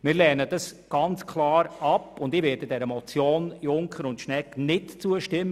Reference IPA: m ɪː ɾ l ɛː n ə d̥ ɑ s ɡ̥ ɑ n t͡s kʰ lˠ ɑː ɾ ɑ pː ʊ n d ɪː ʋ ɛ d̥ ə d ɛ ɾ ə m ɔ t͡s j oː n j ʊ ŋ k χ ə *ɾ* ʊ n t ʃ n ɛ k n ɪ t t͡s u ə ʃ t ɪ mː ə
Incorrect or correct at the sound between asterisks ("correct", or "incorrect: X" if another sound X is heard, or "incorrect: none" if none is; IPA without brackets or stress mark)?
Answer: correct